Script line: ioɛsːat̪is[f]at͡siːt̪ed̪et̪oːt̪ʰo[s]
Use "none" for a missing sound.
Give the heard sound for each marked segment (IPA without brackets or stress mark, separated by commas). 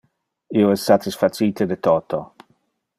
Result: f, none